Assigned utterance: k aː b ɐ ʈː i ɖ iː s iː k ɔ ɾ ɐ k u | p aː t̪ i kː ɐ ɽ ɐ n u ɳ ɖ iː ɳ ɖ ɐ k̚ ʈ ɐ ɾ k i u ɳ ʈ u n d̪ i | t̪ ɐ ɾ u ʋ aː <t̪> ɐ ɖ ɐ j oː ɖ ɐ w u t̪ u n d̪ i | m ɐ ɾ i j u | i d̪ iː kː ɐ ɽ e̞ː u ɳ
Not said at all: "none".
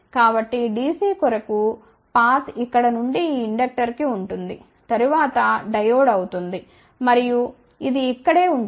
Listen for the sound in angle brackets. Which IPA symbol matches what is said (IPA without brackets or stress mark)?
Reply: t̪